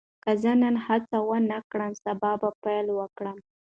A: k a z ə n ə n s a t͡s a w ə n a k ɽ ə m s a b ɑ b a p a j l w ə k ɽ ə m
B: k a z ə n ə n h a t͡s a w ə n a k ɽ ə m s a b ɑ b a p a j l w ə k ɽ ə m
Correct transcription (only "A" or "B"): B